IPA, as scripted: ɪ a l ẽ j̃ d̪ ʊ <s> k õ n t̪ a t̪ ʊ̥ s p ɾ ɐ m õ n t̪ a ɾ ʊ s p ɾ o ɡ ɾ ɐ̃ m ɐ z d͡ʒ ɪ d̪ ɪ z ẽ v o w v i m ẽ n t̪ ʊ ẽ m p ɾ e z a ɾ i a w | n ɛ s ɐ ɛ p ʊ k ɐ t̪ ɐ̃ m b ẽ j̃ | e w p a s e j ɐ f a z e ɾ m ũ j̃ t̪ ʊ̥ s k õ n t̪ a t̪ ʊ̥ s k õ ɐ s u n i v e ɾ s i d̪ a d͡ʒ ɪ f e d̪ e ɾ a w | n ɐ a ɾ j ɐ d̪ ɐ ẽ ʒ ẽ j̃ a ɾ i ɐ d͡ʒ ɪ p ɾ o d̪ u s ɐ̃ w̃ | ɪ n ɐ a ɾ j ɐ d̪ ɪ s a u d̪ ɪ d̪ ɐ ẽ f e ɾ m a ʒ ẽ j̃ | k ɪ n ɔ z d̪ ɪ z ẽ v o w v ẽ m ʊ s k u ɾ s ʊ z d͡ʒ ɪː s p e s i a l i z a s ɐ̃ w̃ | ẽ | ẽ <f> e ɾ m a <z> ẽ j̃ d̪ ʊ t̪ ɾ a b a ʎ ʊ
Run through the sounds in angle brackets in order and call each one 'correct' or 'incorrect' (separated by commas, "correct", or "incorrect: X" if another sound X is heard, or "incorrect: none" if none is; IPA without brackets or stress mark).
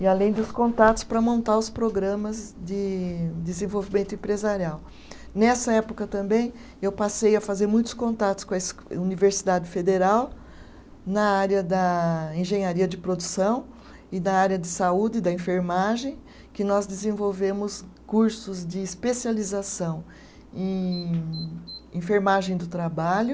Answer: correct, correct, incorrect: ʒ